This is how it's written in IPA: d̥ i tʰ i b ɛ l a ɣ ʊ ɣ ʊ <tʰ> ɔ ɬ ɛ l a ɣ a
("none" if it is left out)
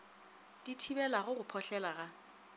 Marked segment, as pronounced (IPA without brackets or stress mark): pʰ